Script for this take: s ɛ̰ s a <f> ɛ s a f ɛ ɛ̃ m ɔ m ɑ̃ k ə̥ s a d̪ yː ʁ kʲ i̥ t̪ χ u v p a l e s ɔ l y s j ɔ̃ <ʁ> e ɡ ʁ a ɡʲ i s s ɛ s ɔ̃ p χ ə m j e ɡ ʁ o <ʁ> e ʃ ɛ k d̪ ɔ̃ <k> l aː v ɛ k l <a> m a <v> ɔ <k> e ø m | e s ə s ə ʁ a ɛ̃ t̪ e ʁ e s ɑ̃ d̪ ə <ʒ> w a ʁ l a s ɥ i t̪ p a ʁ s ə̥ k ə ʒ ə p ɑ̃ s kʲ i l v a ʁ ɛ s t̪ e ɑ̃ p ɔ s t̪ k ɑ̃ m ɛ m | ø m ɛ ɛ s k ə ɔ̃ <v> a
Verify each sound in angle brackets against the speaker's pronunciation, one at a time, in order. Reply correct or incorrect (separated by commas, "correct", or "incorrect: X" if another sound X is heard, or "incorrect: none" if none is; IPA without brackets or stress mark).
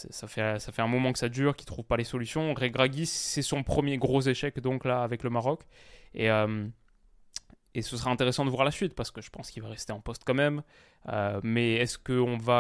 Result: correct, correct, incorrect: z, correct, incorrect: ə, incorrect: ʁ, correct, incorrect: v, correct